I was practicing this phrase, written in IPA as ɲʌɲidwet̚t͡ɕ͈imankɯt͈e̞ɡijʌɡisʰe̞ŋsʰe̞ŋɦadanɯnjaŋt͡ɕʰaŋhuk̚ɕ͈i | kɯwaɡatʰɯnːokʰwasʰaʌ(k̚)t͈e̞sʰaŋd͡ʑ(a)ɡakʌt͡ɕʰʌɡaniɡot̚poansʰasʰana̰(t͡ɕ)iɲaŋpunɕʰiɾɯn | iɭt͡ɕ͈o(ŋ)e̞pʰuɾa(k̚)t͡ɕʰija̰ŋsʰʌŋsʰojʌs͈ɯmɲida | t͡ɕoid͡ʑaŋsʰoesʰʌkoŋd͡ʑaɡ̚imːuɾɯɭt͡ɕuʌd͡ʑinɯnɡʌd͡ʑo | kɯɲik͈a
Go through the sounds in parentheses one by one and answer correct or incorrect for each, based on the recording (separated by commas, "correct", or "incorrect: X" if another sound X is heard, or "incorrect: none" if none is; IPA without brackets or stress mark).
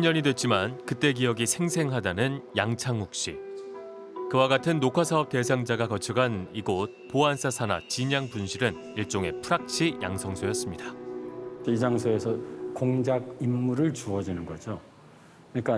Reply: incorrect: p̚, correct, correct, correct, correct